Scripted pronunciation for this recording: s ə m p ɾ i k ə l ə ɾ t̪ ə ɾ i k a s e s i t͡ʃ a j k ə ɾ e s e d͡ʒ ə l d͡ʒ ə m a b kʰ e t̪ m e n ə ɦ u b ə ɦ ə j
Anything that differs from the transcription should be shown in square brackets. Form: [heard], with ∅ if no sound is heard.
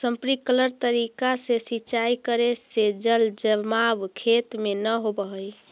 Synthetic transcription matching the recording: s ə m p ɾ i k ə l ə ɾ t̪ ə ɾ i k a s e s i t͡ʃ a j k ə ɾ e s e d͡ʒ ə l d͡ʒ ə m a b kʰ e t̪ m e n ə ɦ [o] b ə ɦ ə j